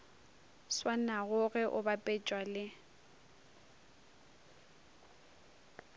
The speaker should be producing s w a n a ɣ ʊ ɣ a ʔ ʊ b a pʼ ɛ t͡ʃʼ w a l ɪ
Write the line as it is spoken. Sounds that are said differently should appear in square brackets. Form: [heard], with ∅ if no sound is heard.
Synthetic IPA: s w a n a ɣ ʊ ɣ [ɛ] ʔ ʊ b a pʼ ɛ t͡ʃʼ w a l ɪ